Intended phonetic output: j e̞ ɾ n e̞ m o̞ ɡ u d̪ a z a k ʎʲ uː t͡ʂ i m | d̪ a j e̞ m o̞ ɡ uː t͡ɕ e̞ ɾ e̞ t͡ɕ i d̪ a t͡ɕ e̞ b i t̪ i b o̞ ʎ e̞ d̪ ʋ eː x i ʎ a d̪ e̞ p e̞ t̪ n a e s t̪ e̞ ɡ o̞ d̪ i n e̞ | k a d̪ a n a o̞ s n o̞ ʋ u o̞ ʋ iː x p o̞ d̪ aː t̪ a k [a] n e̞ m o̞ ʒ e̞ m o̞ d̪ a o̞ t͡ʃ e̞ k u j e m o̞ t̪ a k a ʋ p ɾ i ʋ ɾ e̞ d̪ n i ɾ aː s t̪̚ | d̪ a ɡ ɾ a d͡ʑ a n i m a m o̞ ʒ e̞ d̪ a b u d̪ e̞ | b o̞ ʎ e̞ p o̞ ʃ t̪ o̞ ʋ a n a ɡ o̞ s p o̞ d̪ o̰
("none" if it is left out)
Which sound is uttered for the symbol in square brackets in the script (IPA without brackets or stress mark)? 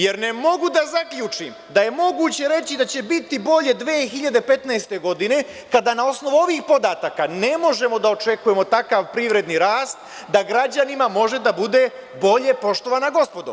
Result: a